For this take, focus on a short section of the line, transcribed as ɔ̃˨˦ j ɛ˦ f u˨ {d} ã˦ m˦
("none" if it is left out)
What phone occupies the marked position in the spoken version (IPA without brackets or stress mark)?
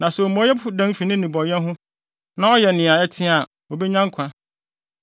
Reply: d